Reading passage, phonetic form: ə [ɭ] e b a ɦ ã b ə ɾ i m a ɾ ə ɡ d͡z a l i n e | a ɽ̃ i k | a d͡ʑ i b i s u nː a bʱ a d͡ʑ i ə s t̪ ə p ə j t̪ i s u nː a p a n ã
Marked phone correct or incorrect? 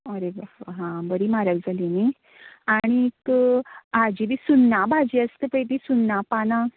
incorrect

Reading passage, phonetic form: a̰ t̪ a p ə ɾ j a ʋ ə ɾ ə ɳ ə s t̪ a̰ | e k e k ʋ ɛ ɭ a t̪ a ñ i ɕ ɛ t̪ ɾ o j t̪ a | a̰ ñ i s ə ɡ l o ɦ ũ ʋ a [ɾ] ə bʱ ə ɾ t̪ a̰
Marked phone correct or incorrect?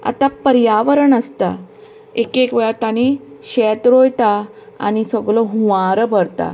correct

